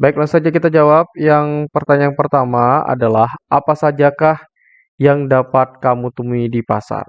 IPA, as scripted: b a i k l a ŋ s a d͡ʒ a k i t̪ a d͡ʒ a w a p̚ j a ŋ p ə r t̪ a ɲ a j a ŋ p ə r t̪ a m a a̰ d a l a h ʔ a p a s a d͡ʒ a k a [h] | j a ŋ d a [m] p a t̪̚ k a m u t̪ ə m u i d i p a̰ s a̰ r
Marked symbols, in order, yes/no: yes, no

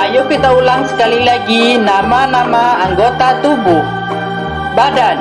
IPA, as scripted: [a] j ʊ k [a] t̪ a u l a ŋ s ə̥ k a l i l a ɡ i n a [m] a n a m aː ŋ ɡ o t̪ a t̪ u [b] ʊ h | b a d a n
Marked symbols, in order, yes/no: yes, no, yes, yes

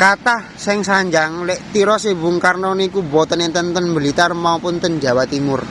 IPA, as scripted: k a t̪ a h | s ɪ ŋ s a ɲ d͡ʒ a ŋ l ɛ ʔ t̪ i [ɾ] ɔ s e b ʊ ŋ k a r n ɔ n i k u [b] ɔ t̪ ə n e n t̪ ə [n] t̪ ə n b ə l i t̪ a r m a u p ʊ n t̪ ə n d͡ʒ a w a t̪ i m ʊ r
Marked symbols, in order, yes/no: yes, yes, yes

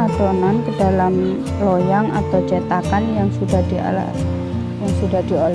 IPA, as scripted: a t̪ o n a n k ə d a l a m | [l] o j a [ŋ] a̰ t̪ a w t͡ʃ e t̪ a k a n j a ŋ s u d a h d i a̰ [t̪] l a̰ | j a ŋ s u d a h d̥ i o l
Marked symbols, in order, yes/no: yes, yes, no

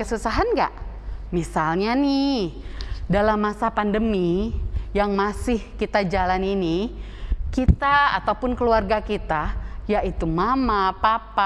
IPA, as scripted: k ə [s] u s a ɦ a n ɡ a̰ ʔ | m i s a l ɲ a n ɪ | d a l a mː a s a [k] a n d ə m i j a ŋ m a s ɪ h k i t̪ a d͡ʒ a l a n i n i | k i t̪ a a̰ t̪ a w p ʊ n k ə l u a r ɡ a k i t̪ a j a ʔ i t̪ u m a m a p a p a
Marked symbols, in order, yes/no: yes, no

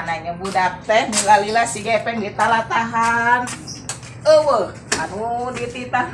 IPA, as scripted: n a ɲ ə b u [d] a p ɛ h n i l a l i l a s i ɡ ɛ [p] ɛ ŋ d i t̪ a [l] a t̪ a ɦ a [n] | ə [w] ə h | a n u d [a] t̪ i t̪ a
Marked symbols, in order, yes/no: yes, yes, yes, yes, yes, no

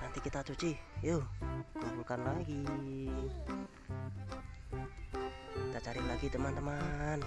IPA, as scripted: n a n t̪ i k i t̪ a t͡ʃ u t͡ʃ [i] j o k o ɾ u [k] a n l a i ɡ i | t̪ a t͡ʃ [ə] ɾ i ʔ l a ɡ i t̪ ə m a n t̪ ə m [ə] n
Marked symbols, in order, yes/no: yes, yes, no, no

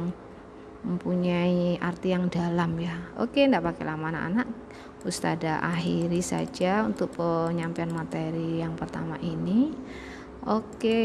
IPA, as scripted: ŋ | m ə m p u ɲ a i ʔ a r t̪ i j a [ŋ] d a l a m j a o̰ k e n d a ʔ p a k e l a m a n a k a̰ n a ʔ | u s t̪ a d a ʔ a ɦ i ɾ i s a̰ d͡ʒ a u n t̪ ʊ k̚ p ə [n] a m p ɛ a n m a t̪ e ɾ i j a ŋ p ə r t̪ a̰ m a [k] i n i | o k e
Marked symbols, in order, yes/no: yes, no, no

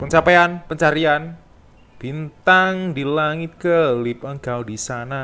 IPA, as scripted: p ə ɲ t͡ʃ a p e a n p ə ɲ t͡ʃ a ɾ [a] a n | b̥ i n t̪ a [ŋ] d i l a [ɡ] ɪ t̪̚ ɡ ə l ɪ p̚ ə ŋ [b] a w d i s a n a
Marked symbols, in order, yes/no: no, yes, no, no

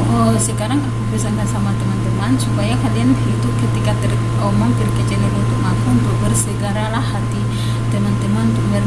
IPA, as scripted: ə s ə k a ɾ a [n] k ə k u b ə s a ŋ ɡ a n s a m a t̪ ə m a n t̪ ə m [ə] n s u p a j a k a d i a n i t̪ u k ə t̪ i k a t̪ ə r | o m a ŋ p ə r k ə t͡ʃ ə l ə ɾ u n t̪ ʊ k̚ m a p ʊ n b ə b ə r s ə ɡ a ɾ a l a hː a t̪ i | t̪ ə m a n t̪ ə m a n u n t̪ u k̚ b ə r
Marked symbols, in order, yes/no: no, no

